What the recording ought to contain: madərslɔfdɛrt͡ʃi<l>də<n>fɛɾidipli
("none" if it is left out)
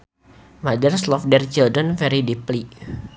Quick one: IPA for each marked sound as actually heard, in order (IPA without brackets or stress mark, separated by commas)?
l, n